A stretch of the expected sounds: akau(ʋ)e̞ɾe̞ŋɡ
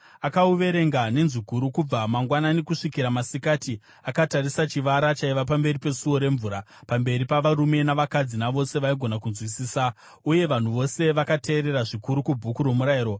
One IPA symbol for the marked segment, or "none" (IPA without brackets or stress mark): ʋ